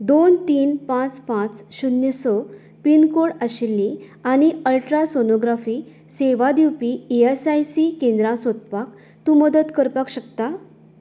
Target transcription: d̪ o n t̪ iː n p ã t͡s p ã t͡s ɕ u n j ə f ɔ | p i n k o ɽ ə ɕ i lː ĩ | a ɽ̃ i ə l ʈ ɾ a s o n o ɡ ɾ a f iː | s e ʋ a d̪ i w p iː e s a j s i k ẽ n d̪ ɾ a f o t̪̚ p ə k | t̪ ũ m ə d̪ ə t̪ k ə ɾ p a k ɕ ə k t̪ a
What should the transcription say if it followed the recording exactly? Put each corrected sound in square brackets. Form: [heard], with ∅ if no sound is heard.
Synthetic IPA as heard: d̪ o n t̪ iː n p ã t͡s p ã t͡s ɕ u n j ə [s] ɔ | p i n k o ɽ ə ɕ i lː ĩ | a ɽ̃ i ə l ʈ ɾ a s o n o ɡ ɾ a f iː | s e ʋ a d̪ i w p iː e s a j s i k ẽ n d̪ ɾ a [s] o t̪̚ p [a] k | t̪ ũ m ə d̪ ə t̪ k ə ɾ p a k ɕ ə k t̪ a